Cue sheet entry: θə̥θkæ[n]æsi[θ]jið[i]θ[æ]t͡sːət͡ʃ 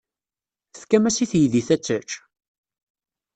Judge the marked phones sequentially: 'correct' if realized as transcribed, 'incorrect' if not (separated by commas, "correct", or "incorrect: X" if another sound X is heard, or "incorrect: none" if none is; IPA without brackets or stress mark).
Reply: incorrect: m, correct, correct, correct